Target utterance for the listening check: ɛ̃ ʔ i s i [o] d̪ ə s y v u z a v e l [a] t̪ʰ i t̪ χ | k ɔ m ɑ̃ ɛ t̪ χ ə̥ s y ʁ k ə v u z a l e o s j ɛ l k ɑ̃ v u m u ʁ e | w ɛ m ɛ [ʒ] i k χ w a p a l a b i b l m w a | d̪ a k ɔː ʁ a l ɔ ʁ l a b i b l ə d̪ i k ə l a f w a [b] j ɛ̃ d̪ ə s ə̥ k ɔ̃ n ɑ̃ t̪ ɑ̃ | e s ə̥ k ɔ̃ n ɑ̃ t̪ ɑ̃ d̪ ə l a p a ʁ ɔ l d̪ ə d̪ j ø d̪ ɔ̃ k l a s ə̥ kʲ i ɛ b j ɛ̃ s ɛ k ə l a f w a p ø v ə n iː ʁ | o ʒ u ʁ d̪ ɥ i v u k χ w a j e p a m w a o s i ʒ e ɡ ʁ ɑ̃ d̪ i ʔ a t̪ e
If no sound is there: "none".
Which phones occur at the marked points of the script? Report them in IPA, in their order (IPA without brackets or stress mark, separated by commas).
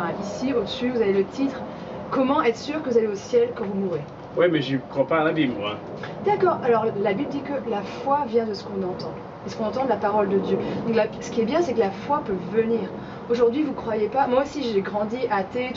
o, ə, ʒ, v